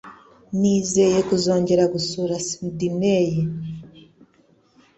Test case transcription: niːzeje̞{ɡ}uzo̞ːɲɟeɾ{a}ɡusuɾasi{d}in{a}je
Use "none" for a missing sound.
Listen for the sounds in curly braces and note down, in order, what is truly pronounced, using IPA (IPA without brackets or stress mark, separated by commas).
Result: k, a, d, e